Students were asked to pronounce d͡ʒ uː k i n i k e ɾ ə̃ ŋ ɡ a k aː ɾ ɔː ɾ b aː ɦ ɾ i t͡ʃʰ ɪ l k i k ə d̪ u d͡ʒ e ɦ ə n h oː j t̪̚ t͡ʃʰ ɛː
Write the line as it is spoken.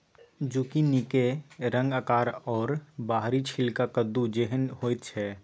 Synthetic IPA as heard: d͡ʒ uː k i n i k e ɾ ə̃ ŋ ɡ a k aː ɾ ɔː ɾ b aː ɦ ɾ i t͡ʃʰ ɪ l k a k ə d̪ u d͡ʒ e ɦ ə n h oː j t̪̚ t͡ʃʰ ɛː

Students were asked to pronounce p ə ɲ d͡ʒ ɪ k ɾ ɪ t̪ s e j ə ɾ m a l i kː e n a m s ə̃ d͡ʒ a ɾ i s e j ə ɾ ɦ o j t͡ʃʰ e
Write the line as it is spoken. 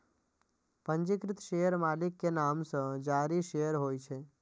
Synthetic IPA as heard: p ə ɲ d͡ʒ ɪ k ɾ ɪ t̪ ʃ e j ə ɾ m a l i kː e n a m s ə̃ d͡ʒ a ɾ i ʃ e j ə ɾ ɦ o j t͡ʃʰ e

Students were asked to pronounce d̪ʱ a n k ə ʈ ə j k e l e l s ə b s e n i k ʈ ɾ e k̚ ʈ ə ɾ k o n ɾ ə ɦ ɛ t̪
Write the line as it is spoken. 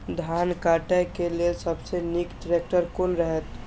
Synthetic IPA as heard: d̪ʱ a n k a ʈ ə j k e l e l s ə b s e n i k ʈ ɾ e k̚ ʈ ə ɾ k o n ɾ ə ɦ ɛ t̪

